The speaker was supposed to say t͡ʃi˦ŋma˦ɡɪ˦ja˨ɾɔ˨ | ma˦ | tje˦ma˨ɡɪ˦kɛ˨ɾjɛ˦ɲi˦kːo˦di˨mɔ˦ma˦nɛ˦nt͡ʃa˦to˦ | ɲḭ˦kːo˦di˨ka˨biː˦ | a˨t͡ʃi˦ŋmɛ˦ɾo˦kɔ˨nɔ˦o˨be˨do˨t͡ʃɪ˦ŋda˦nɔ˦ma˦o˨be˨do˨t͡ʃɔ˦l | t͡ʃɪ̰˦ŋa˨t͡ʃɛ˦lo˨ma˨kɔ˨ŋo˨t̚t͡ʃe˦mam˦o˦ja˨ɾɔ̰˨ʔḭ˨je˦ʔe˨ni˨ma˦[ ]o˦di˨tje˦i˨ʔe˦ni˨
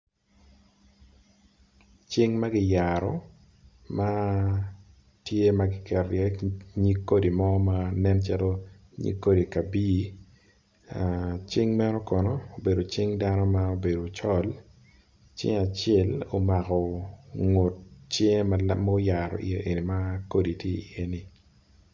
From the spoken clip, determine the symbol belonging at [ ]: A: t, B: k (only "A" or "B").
B